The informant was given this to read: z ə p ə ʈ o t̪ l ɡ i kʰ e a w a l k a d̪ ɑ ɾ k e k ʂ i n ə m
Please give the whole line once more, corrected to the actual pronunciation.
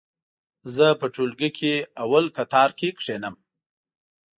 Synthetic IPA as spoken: z ə p ə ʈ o l ɡ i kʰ e a w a l k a t̪ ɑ ɾ k e k ʂ e n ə m